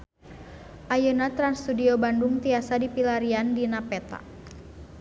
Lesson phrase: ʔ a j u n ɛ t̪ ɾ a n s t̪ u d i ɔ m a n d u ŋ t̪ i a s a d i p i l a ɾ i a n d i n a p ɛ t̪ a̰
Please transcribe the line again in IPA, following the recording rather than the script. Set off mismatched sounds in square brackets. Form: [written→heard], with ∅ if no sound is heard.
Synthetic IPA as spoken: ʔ a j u n [ɛ→a] t̪ ɾ a n s t̪ u d i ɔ [m→b] a n d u ŋ t̪ i a s a d i p i l a ɾ i a n d i n a p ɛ t̪ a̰